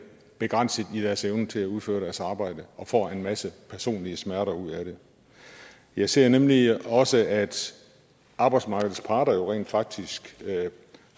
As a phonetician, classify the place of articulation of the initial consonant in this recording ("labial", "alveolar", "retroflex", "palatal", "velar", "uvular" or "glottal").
labial